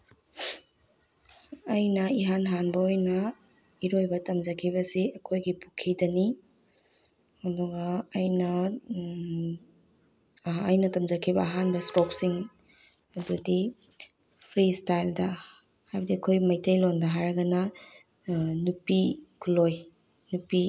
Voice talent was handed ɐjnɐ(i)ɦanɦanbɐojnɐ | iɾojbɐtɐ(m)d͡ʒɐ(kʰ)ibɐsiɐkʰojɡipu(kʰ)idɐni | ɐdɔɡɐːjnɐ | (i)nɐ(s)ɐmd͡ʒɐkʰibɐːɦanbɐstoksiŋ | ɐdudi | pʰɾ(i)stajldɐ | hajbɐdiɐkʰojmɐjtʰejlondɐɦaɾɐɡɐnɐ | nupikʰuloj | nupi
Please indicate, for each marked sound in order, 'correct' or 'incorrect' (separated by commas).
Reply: correct, correct, correct, correct, incorrect, incorrect, correct